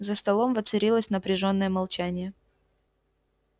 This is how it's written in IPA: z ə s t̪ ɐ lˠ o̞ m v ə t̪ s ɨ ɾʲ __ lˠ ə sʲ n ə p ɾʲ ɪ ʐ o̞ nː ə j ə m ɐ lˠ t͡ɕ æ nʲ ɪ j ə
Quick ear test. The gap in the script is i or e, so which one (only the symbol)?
i